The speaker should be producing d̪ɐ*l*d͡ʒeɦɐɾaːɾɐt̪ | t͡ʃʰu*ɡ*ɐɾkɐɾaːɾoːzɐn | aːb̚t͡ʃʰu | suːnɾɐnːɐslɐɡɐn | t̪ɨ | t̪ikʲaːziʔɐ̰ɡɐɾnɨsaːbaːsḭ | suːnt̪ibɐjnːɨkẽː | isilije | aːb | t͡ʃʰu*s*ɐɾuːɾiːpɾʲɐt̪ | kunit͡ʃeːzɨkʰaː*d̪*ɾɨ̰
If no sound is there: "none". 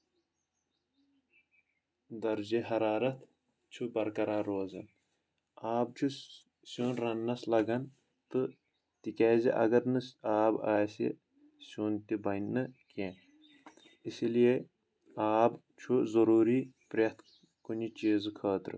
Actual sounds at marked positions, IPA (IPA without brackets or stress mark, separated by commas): ɾ, b, z, t̪